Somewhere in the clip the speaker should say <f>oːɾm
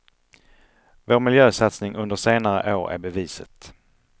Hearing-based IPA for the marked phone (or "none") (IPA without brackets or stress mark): v